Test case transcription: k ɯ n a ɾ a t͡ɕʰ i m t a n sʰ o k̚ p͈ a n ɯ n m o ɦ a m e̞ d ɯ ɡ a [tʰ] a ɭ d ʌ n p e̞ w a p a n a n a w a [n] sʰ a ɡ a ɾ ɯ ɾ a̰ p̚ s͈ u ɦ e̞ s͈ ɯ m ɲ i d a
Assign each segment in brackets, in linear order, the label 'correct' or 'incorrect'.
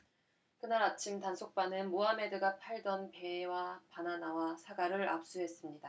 incorrect, incorrect

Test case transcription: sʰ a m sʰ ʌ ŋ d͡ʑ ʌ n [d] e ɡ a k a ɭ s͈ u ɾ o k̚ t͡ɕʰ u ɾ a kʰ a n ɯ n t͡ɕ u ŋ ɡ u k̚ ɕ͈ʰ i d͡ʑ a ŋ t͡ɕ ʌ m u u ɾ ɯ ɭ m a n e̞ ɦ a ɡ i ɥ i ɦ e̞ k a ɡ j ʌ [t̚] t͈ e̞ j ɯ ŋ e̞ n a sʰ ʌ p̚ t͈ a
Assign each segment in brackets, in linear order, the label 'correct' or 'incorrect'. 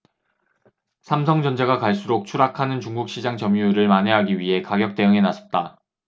incorrect, incorrect

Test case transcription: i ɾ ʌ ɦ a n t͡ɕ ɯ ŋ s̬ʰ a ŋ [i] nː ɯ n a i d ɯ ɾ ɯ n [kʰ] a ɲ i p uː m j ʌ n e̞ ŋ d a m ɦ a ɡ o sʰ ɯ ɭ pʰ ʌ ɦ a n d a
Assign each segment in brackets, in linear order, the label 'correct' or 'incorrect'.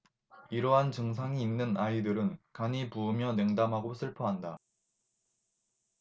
incorrect, incorrect

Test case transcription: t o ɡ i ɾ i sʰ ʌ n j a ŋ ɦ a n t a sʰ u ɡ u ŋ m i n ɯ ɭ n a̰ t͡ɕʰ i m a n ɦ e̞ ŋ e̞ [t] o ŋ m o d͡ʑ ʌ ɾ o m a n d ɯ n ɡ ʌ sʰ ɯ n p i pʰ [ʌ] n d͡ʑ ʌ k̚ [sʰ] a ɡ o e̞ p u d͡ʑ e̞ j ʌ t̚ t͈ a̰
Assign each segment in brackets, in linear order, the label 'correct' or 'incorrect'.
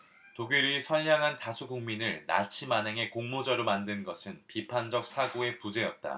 incorrect, incorrect, correct

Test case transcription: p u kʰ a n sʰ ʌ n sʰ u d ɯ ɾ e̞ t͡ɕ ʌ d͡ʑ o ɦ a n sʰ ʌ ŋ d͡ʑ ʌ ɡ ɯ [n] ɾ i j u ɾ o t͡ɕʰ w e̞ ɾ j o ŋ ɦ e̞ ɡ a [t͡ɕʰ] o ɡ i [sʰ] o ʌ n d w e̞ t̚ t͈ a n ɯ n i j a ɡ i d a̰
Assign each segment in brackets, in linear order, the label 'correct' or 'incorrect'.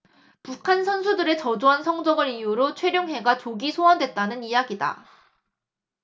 incorrect, incorrect, correct

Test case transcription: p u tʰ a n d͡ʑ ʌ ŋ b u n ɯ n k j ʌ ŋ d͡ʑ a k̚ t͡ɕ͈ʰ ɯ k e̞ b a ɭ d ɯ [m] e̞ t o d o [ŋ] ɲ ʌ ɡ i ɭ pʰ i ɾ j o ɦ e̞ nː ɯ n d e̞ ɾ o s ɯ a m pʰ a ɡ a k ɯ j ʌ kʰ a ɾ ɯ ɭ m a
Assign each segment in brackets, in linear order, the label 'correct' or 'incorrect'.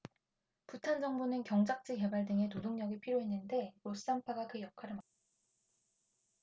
incorrect, correct

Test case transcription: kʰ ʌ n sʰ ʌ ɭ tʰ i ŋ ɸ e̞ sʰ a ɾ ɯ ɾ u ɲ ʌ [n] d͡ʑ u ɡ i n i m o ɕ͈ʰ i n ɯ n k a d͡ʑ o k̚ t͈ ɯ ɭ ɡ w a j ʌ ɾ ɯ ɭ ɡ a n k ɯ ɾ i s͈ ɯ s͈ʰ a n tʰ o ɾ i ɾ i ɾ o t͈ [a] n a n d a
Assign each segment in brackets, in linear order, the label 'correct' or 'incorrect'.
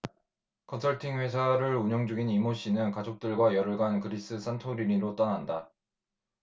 incorrect, incorrect

